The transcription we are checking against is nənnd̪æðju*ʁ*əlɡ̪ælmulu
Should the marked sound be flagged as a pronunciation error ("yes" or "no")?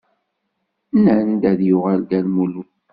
no